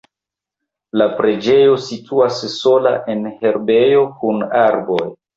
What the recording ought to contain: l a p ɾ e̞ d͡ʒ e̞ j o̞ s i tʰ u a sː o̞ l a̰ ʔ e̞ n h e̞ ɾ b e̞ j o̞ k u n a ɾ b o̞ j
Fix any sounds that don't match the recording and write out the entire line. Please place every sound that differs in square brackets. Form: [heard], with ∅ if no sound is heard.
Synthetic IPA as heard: l a p ɾ e̞ d͡ʒ e̞ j o̞ s i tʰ u a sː o̞ l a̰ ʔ e̞ n h e̞ ɾ b e̞ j o̞ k u n a ɾ b o̞ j